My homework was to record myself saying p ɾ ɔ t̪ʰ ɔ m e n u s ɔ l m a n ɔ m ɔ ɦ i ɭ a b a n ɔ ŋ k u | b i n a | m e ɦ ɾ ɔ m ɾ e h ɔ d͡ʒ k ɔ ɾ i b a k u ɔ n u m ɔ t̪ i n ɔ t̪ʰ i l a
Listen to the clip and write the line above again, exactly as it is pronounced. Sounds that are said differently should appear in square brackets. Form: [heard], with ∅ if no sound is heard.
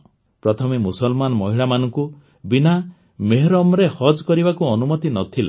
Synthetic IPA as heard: p ɾ ɔ t̪ʰ ɔ m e [m] u s ɔ l m a n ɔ m ɔ ɦ i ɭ a [m] a n ɔ ŋ k u | b i n a | m e ɦ ɾ ɔ m ɾ e h ɔ d͡ʒ k ɔ ɾ i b a k u ɔ n u m ɔ t̪ i n ɔ t̪ʰ i l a